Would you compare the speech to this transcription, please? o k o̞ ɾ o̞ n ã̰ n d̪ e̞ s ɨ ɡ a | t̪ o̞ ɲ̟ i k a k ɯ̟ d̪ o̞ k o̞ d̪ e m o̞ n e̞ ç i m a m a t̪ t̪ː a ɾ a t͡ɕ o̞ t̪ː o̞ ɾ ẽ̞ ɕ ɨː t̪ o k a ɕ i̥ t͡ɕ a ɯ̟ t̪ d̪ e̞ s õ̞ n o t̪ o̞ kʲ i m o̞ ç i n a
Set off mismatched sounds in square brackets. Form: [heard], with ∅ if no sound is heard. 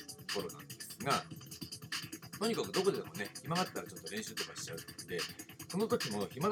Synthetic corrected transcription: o k o̞ ɾ o̞ n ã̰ n d̪ e̞ s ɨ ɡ a | t̪ o̞ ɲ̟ i k a k ɯ̟ d̪ o̞ k o̞ d̪ e m o̞ n e̞ ç i m a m a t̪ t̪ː a ɾ a t͡ɕ o̞ t̪ː o̞ ɾ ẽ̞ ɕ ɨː t̪ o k a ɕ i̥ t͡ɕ a ɯ̟ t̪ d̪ e̞ s [o̞] n o t̪ o̞ kʲ i m o̞ ç i [m] a